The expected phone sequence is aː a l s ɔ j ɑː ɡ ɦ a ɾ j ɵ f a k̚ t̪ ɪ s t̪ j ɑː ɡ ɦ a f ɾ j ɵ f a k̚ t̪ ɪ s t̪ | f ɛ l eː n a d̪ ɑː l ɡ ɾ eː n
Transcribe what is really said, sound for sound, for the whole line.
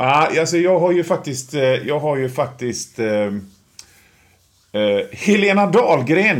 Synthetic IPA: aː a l s ɔ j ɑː ɡ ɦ a ɾ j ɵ f a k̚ t̪ ɪ s t̪ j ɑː ɡ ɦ a ɾ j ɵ f a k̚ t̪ ɪ s t̪ | h ɛ l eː n a d̪ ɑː l ɡ ɾ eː n